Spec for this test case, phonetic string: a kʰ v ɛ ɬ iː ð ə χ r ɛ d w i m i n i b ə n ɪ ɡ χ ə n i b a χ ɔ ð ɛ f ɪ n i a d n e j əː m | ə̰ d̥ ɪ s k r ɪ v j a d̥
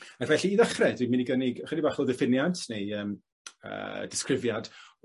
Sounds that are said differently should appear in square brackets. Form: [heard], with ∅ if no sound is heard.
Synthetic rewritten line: a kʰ v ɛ ɬ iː ð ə χ r ɛ d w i m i n i [ɡ] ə n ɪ ɡ χ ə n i b a χ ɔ ð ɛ f ɪ n [j] a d n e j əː m | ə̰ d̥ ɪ s k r ɪ v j a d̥